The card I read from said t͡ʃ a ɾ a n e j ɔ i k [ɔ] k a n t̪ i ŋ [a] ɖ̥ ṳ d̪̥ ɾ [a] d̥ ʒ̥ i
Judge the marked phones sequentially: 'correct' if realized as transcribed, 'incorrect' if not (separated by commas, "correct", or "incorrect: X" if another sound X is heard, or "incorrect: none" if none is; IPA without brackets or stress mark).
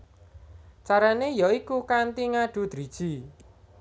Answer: incorrect: u, correct, incorrect: i